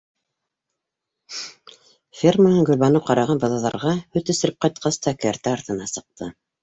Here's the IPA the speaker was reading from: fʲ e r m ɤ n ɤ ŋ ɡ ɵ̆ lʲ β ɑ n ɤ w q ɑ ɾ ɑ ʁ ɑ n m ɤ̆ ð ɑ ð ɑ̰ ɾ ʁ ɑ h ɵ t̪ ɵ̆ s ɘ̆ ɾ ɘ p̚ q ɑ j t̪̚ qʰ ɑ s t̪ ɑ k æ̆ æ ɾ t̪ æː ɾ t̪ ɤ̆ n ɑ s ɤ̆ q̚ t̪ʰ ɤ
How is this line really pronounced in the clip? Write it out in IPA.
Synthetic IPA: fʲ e r m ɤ n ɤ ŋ ɡ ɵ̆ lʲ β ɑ n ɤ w q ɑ ɾ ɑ ʁ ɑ n b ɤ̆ ð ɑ ð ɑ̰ ɾ ʁ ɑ h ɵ t̪ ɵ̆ s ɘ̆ ɾ ɘ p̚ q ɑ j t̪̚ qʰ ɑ s t̪ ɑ k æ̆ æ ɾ t̪ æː ɾ t̪ ɤ̆ n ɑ s ɤ̆ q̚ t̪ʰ ɤ